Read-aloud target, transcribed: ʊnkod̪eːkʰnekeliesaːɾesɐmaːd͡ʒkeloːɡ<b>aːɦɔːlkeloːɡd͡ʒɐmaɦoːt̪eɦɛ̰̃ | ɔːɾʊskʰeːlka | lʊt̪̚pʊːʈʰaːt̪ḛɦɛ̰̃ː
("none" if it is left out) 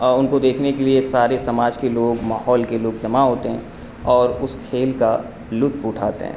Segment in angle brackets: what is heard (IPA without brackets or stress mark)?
m